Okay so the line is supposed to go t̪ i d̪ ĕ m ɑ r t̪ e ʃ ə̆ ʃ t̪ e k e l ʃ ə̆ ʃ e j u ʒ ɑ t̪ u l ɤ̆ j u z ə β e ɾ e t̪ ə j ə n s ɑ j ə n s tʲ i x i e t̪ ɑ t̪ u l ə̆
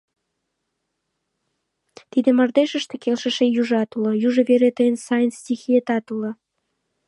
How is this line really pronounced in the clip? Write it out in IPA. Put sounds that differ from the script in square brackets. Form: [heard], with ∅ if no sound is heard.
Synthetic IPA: t̪ i d̪ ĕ m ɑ r [d̪] e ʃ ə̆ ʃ t̪ e k e l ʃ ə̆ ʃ e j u ʒ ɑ t̪ u l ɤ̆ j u [ʒ] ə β e ɾ e t̪ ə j ə n s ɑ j ə n s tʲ i x i e t̪ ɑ t̪ u l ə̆